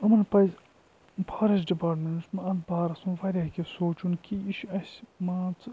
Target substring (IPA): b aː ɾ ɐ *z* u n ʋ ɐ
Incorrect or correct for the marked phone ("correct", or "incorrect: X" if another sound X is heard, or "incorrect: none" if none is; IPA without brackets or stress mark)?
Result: incorrect: s